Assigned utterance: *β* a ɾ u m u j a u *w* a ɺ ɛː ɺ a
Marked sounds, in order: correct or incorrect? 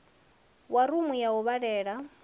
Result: incorrect: w, incorrect: β

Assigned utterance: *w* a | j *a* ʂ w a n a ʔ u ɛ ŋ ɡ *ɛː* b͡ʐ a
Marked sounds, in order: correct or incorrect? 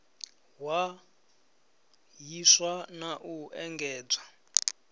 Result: correct, incorrect: i, correct

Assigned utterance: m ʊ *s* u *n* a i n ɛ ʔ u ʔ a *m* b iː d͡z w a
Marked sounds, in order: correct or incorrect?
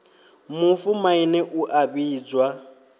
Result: incorrect: f, incorrect: m, incorrect: none

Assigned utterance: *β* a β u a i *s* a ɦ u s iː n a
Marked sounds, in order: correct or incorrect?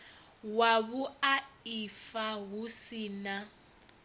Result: incorrect: w, incorrect: f

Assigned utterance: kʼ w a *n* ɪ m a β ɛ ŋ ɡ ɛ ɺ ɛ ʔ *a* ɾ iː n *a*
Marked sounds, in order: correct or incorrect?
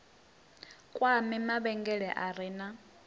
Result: incorrect: m, correct, correct

